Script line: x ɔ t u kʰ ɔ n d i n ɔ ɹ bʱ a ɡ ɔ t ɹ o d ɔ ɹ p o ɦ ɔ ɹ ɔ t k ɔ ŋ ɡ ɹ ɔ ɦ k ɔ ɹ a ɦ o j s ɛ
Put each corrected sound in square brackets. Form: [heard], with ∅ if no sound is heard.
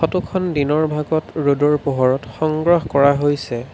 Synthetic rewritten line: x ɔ t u kʰ ɔ n d i n ɔ ɹ bʱ a ɡ ɔ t ɹ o d ɔ ɹ p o ɦ ɔ ɹ ɔ t [x] ɔ ŋ ɡ ɹ ɔ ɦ k ɔ ɹ a ɦ o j s ɛ

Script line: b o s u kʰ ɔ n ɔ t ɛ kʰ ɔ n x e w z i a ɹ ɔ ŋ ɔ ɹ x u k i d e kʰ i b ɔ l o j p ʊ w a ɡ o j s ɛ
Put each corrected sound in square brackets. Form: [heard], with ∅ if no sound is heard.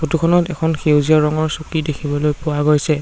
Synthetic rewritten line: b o [t] u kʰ ɔ n ɔ t ɛ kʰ ɔ n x e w z i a ɹ ɔ ŋ ɔ ɹ [s] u k i d e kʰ i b ɔ l o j p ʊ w a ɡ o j s ɛ

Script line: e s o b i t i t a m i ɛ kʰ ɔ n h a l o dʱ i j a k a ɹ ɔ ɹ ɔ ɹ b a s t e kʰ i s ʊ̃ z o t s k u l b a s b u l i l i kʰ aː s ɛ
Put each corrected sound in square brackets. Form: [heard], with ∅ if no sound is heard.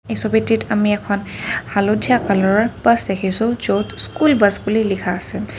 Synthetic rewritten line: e s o b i t i t a m i ɛ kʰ ɔ n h a l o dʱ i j a k a [l] ɔ ɹ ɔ ɹ b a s [d] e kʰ i s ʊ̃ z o t s k u l b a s b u l i l i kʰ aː s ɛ

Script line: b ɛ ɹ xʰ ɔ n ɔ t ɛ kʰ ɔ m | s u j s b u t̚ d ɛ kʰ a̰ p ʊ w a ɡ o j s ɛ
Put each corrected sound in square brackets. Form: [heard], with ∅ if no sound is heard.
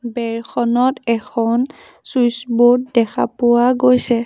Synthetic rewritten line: b ɛ ɹ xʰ ɔ n ɔ t ɛ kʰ ɔ [n] | s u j s b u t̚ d ɛ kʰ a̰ p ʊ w a ɡ o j s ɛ

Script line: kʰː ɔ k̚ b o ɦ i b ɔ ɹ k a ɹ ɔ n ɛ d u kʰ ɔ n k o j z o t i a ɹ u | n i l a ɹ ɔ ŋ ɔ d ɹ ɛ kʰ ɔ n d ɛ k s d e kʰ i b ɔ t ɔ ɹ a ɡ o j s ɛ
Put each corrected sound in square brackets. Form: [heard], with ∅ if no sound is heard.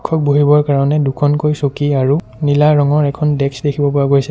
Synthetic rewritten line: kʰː ɔ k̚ b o ɦ i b ɔ ɹ k a ɹ ɔ n ɛ d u kʰ ɔ n k o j [s] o [k] i a ɹ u | n i l a ɹ ɔ ŋ ɔ [∅] ɹ ɛ kʰ ɔ n d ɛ k s d e kʰ i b ɔ [p] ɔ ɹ a ɡ o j s ɛ

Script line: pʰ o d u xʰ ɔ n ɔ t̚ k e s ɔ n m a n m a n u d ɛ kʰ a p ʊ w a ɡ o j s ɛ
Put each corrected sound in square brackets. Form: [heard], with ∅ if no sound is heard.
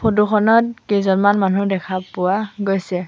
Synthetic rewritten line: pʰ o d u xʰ ɔ n ɔ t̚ k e [z] ɔ n m a n m a n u d ɛ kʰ a p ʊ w a ɡ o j s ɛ

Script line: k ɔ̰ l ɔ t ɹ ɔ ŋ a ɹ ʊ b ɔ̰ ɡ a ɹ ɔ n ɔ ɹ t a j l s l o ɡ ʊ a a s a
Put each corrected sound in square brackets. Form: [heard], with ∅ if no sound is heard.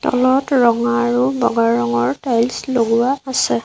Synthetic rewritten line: [t] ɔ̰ l ɔ t ɹ ɔ ŋ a ɹ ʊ b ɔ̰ ɡ a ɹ ɔ [ŋ] ɔ ɹ t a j l s l o ɡ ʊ a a s [ɛ]

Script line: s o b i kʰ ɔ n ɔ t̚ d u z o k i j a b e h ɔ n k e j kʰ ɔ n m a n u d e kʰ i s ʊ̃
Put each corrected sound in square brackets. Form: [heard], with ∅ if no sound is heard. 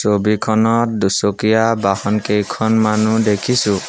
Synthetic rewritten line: s o b i kʰ ɔ n ɔ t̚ d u [s] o k i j a b [a] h ɔ n k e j kʰ ɔ n m a n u d e kʰ i s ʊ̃

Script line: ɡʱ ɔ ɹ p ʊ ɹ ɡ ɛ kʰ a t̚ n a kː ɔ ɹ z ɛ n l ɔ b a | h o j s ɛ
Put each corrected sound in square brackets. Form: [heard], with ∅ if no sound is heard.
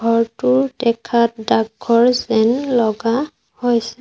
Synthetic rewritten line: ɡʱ ɔ ɹ [t] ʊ ɹ [d] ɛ kʰ a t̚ [d] a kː ɔ ɹ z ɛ n l ɔ [ɡ] a | h o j s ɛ

